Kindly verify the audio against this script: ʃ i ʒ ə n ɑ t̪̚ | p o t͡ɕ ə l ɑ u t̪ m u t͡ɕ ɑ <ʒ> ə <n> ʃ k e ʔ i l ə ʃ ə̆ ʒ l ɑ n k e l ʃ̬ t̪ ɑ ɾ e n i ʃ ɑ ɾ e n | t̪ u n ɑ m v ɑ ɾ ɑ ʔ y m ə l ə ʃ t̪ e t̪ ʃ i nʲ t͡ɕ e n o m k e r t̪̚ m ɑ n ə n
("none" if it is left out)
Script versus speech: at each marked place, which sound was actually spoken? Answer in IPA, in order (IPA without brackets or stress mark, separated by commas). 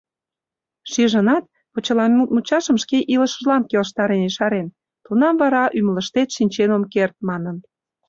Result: ʃ, m